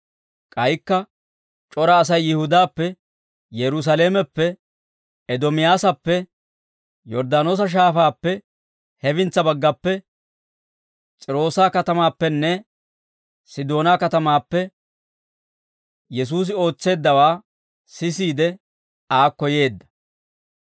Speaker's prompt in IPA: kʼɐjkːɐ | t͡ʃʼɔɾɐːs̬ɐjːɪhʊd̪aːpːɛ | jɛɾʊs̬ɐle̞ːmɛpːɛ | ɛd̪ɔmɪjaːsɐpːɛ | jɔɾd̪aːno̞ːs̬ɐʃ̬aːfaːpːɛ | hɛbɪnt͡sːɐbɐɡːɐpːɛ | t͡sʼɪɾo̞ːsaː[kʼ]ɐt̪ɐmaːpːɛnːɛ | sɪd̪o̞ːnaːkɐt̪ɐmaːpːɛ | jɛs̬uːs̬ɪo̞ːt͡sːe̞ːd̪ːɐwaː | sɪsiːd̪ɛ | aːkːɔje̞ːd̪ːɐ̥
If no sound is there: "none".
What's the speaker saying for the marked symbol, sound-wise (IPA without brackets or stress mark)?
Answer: k